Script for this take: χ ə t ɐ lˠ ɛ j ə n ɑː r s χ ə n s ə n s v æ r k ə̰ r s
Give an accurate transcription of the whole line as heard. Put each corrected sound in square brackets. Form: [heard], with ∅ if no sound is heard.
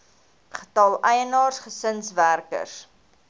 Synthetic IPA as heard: χ ə t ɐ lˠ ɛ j ə n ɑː r s χ ə [∅] s ə n s v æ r k ə̰ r s

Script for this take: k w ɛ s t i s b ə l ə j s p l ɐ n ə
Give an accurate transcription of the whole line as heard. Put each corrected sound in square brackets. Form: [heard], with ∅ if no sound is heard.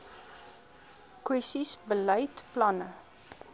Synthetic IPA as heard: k w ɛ s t i s b ə l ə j [t] p l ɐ n ə

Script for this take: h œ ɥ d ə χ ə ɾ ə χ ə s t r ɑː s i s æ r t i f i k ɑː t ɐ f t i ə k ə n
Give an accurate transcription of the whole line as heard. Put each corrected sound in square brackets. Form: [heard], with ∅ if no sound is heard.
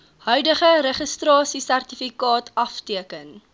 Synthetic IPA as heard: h œ ɥ d ə χ ə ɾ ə χ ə s t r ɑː s i s æ r t i f i k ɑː t ɐ f t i ə k ə n

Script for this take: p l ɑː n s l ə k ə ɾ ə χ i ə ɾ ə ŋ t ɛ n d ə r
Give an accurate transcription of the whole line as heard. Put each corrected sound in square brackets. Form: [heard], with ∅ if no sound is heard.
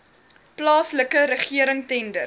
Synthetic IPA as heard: p l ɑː [∅] s l ə k ə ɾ ə χ i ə ɾ ə ŋ t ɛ n d ə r

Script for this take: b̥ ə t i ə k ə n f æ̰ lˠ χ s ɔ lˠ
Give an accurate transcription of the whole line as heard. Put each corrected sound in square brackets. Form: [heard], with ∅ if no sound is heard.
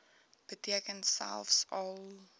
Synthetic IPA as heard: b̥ ə t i ə k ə n [s] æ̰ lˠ [f] s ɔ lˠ

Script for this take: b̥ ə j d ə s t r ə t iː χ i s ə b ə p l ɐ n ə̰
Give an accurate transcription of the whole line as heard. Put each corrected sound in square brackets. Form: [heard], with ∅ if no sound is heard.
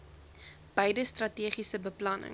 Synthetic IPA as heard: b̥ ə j d ə s t r [ɐ] t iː χ i s ə b ə p l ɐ n ə̰

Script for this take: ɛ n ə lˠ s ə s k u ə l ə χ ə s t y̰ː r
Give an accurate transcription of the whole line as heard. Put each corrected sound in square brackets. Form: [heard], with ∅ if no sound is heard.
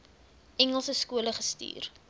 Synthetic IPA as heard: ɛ [ŋ] ə lˠ s ə s k u ə l ə χ ə s t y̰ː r

